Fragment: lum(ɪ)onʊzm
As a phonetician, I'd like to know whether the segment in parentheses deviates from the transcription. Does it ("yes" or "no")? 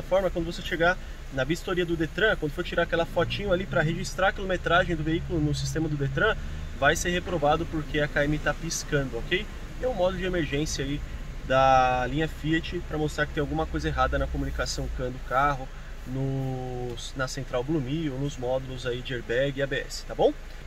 yes